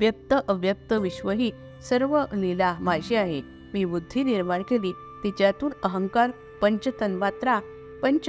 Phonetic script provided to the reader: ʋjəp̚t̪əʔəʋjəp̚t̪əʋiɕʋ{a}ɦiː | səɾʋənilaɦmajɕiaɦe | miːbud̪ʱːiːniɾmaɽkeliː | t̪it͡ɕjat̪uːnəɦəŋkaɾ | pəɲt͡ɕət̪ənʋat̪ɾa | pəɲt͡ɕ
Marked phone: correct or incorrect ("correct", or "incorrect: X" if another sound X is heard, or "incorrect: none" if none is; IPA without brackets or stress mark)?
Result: incorrect: ə